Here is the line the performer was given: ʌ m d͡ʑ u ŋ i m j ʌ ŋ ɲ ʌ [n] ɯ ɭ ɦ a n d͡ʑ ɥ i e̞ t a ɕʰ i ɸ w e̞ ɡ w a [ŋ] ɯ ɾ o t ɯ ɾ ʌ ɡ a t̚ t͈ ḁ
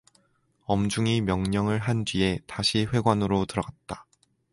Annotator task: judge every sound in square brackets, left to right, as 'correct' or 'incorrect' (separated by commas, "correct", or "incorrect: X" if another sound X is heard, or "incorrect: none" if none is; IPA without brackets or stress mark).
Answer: incorrect: ŋ, incorrect: n